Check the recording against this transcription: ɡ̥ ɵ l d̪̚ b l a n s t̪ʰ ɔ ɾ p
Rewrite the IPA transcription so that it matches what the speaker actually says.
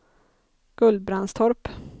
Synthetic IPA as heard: ɡ̥ ɵ l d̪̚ b ɾ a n s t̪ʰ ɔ ɾ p